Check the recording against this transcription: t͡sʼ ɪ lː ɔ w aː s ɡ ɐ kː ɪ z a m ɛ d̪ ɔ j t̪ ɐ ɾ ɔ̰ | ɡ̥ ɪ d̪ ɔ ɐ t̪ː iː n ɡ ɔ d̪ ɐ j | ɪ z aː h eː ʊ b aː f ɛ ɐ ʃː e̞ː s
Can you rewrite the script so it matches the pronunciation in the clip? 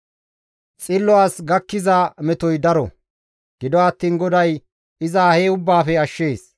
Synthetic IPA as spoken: t͡sʼ ɪ lː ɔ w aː s ɡ ɐ kː ɪ z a m ɛ t̪ ɔ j d̪ ɐ ɾ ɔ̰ | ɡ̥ ɪ d̪ ɔ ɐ t̪ː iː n ɡ ɔ d̪ ɐ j | ɪ z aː h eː ʊ bː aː f ɛ ɐ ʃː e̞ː s